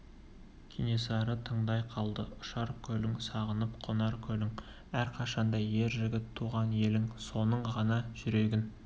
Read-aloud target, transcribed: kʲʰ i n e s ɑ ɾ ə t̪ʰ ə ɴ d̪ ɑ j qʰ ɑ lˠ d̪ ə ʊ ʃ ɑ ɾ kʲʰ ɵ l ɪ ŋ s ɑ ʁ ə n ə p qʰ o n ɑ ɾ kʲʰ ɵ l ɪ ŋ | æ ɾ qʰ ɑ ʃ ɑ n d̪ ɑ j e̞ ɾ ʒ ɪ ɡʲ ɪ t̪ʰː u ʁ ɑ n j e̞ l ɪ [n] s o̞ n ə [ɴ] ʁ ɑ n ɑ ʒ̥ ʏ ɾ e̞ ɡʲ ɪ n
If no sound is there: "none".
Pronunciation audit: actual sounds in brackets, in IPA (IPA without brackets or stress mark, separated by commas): ŋ, ɴ